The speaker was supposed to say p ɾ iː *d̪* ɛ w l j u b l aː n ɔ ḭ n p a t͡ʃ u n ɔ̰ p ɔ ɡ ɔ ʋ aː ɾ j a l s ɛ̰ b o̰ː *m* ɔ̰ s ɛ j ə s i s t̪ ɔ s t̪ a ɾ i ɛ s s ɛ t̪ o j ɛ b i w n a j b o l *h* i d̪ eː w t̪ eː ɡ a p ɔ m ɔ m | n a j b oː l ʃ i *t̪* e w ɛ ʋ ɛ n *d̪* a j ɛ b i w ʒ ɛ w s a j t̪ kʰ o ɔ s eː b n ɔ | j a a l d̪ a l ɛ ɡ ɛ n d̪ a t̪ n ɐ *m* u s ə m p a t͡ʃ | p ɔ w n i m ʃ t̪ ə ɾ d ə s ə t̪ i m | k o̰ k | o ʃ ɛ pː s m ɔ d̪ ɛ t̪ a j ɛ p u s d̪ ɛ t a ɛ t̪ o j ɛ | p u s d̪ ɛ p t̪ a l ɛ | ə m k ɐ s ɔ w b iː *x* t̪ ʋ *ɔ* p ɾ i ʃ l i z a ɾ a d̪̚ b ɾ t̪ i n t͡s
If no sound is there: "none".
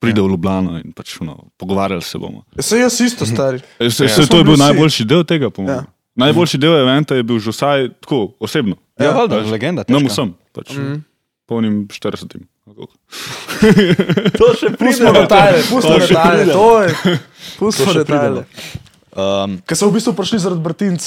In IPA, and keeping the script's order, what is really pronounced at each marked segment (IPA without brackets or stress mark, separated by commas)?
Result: d̪, m, ʃ, d̪, t̪, m, s, u